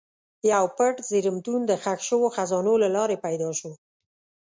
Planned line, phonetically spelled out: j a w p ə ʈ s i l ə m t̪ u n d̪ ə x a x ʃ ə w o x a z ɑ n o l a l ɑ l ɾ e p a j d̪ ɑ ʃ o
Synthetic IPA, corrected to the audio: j a w p ə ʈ z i ɾ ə m t̪ u n d̪ ə x a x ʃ ə w o x a z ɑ n o l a l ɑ ɾ e p a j d̪ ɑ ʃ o